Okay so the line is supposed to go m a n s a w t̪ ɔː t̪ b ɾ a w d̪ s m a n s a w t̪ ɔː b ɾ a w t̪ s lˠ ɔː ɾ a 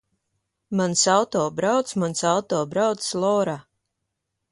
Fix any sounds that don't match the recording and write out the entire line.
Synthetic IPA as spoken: m a n s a w t̪ ɔː b ɾ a w t̪ s m a n s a w t̪ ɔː b ɾ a w t̪ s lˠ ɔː ɾ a